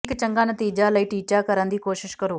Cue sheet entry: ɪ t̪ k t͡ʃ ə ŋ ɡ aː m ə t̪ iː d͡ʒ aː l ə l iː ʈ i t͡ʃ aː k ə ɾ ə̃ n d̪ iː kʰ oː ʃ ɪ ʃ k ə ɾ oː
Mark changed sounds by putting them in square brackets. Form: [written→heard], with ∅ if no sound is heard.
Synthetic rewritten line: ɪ [t̪→∅] k t͡ʃ ə ŋ ɡ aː [m→n] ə t̪ iː d͡ʒ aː l ə [l→∅] iː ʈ [i→iː] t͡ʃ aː k ə ɾ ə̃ n d̪ iː [kʰ→k] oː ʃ ɪ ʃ k ə ɾ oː